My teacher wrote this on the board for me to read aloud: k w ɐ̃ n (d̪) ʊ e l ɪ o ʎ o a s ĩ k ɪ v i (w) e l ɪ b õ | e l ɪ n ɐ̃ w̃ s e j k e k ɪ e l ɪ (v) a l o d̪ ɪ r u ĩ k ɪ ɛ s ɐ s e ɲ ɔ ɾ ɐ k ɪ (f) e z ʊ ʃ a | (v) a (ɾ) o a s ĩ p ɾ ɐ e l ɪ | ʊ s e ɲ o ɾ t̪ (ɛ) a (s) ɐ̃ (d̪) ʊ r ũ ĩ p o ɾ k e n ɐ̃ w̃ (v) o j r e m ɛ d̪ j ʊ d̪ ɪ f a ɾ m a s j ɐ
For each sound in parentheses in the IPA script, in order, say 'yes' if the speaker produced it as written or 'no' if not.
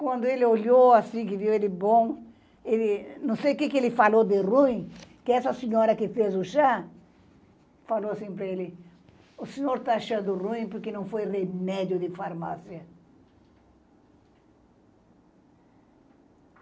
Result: yes, yes, no, yes, no, no, no, no, yes, no

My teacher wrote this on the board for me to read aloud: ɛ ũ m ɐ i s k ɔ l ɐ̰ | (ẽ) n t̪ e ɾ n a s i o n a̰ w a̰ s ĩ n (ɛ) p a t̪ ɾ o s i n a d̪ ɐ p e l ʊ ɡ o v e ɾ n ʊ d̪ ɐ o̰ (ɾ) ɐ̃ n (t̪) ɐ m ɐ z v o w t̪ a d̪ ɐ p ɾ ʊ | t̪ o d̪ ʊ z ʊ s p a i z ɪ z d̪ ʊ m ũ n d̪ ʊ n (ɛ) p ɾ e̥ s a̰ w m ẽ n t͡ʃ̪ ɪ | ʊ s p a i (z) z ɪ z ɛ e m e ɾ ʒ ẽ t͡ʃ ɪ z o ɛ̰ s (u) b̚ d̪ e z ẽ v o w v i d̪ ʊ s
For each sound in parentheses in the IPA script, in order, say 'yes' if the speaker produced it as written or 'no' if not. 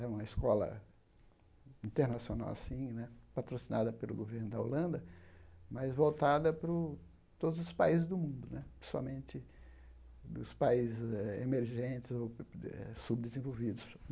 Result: no, yes, no, no, yes, yes, yes

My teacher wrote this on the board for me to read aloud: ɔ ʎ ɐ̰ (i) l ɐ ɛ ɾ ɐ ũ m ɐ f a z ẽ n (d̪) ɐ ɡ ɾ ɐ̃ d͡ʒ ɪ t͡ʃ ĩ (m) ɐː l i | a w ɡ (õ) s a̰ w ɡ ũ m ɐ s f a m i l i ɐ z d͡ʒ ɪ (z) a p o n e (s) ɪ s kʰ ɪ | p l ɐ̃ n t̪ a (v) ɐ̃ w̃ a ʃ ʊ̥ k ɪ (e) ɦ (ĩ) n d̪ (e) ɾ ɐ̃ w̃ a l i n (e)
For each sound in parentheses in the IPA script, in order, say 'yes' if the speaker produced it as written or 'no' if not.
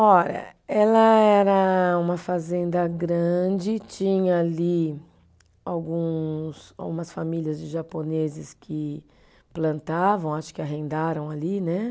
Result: no, yes, no, no, no, no, yes, no, no, no, no

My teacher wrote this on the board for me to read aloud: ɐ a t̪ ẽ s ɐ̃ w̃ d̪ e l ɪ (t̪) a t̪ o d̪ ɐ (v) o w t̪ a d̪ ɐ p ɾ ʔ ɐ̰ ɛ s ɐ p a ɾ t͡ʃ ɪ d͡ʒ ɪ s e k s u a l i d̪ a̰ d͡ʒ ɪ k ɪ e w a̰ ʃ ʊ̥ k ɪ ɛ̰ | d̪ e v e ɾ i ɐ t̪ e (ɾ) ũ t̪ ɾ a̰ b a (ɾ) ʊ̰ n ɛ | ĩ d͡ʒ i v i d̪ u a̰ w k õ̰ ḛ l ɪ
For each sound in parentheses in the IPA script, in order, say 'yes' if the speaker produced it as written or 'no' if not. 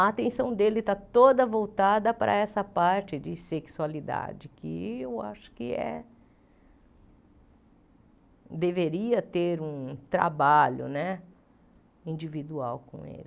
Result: yes, yes, yes, no

